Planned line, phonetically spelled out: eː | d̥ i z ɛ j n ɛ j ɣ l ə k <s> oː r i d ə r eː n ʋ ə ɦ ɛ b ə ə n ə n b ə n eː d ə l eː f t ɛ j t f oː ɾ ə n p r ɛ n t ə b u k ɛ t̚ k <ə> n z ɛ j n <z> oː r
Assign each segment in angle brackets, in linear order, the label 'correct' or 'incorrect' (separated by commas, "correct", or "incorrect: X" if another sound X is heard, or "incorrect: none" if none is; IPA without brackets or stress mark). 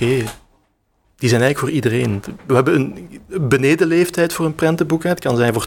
incorrect: f, incorrect: ɑ, incorrect: v